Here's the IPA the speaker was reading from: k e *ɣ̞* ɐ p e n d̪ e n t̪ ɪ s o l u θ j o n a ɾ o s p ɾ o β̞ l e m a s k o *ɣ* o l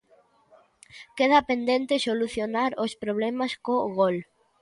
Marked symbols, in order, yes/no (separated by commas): no, yes